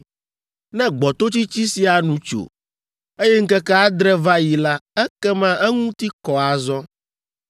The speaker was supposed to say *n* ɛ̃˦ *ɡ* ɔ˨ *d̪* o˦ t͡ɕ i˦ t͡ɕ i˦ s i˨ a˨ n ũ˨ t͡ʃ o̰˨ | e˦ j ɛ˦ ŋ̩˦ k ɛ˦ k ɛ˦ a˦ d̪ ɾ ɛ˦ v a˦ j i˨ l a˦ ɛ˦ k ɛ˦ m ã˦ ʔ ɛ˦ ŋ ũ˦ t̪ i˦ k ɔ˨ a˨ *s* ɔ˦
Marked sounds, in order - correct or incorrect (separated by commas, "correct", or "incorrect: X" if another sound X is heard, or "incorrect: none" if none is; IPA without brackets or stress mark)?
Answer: correct, incorrect: ɡ͡b, incorrect: t̪, incorrect: z